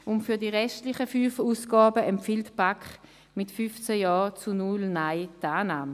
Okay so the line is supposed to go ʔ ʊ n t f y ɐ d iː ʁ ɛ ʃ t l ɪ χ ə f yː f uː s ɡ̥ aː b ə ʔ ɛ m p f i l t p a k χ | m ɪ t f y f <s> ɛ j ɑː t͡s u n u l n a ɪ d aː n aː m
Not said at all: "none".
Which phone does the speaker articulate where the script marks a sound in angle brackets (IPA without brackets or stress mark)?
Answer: t͡s